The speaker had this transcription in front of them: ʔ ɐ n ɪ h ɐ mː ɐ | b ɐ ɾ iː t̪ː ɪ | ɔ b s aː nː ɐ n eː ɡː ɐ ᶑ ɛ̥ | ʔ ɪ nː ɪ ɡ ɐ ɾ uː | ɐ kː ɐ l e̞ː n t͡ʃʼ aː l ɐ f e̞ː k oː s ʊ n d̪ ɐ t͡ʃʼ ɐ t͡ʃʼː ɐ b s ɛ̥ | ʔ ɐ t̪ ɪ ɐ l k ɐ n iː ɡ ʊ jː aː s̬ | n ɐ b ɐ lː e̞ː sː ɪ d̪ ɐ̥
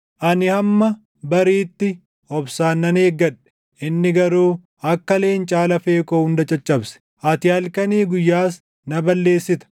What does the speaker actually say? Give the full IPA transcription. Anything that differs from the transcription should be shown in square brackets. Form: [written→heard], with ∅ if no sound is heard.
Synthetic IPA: ʔ ɐ n ɪ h ɐ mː ɐ | b ɐ ɾ iː t̪ː ɪ | ɔ b s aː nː ɐ n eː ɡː ɐ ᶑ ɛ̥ | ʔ ɪ nː ɪ ɡ ɐ ɾ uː | ɐ kː ɐ l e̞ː n t͡ʃʼ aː l ɐ f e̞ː k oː [s→h] ʊ n d̪ ɐ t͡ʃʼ ɐ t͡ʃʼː ɐ b s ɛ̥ | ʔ ɐ t̪ ɪ ɐ l k ɐ n iː ɡ ʊ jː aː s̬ | n ɐ b ɐ lː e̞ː sː ɪ [d̪→t̪] ɐ̥